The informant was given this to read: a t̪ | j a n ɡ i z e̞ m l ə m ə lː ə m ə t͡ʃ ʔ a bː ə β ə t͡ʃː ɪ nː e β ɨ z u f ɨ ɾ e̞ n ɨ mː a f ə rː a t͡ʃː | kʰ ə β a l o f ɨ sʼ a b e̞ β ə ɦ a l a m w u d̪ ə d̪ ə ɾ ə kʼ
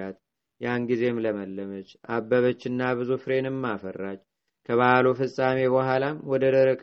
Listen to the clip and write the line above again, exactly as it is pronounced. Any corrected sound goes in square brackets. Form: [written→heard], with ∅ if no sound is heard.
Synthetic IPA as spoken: a t̪ | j a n ɡ i z e̞ m l ə m ə lː ə m ə t͡ʃ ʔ a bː ə β ə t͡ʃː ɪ nː [e→a] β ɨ z u f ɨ ɾ e̞ n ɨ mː a f ə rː a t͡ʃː | kʰ ə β a l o f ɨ sʼ a [b→m] e̞ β ə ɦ a l a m w [u→ɔ] d̪ ə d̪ ə ɾ ə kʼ